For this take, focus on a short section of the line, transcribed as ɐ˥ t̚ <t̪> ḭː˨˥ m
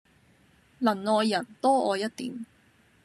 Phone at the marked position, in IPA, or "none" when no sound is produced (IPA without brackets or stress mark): t̪